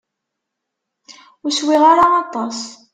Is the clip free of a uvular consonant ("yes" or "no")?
no